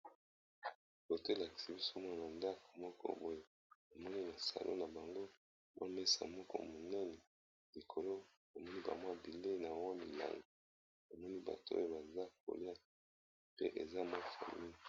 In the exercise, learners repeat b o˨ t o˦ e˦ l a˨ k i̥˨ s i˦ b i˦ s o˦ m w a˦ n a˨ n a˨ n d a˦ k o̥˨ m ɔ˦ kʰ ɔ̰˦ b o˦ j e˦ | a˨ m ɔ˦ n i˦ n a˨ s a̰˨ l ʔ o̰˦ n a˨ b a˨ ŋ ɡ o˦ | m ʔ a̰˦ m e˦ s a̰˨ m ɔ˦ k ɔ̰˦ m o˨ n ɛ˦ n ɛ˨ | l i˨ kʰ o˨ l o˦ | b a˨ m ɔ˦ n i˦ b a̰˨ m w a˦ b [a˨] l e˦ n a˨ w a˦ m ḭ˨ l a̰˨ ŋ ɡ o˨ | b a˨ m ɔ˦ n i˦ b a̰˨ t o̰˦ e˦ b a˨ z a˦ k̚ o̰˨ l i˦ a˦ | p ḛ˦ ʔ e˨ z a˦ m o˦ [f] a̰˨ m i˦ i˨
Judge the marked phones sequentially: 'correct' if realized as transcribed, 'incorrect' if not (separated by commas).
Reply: incorrect, correct